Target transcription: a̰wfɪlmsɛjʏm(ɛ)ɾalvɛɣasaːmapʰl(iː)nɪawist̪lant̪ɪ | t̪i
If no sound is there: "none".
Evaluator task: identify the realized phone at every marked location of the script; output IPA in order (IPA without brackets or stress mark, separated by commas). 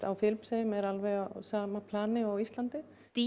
ɛ, aː